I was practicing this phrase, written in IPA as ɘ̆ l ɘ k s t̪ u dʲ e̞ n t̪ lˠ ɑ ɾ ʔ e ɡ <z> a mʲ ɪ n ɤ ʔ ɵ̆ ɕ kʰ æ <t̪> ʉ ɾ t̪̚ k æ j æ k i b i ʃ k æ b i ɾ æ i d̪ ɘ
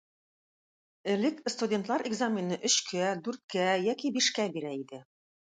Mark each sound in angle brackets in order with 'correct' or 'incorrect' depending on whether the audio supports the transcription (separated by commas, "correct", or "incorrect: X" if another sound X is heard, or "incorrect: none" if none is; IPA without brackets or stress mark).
correct, incorrect: d̪